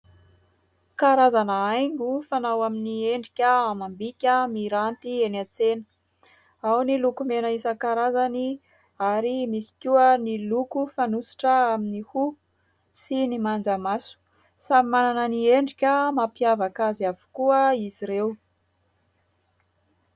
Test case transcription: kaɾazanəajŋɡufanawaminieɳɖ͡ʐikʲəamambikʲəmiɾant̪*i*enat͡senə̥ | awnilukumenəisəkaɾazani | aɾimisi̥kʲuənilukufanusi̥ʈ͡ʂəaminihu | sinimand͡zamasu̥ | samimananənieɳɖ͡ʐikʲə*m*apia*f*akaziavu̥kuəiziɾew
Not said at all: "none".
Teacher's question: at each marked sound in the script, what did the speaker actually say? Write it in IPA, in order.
i, m, v

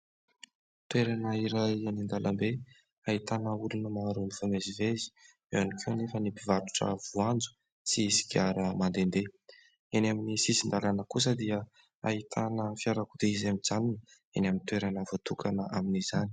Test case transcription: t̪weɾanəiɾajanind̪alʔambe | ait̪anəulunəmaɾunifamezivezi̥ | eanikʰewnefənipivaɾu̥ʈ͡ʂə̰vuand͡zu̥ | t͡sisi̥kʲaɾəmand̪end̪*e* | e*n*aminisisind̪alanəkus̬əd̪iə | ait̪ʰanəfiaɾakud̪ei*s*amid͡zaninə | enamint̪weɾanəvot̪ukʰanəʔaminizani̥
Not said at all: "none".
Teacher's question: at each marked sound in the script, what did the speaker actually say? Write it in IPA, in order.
e, n, z

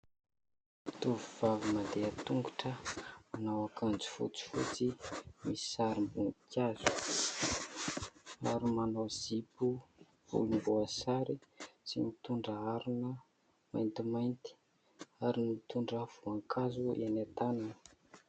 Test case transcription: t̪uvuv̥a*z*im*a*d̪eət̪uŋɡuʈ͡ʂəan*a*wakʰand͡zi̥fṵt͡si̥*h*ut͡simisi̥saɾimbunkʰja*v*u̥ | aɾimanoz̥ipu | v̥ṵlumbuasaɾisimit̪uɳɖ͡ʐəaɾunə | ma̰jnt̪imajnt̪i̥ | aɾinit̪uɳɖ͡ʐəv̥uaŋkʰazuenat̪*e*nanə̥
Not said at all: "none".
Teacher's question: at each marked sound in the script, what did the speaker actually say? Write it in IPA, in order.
v, a, a, f, z, a

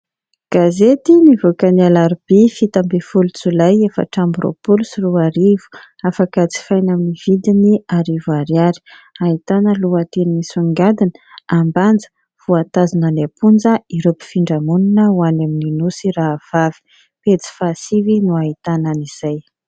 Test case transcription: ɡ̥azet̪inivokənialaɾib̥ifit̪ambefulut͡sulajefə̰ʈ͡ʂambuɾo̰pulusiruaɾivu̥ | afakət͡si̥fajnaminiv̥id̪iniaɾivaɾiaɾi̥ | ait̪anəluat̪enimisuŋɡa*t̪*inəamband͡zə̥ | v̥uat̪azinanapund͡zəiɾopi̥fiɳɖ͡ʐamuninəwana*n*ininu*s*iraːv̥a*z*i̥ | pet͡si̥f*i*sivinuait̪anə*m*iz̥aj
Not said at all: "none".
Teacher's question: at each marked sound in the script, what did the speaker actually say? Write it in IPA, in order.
d̪, m, s, v, a, n

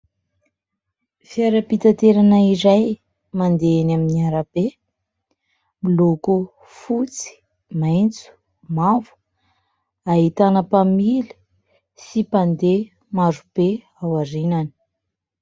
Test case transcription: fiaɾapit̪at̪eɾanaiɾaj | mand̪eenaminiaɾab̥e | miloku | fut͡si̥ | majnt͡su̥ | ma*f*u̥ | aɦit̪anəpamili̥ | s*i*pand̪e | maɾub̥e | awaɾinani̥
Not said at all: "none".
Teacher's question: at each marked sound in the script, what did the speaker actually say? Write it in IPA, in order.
v, i

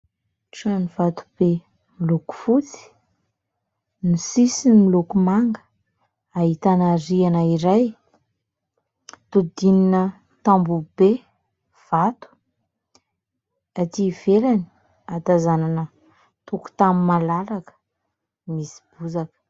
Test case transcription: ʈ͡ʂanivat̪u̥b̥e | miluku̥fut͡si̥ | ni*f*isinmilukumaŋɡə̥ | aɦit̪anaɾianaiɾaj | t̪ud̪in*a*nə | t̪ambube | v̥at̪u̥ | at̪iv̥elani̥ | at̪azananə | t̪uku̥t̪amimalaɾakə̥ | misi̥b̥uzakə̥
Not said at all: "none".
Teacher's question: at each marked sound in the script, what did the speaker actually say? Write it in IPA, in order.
s, i

